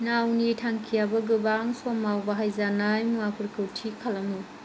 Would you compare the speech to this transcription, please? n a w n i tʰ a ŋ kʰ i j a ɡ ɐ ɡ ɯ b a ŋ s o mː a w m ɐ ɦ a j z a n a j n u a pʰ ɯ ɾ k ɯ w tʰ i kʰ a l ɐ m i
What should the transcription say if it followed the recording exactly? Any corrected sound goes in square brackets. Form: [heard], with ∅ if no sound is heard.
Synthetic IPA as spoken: n a w n i tʰ a ŋ kʰ i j a [b] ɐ ɡ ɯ b a ŋ s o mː a w [b] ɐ ɦ a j z a n a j [m] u a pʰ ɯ ɾ k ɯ w tʰ i kʰ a l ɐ m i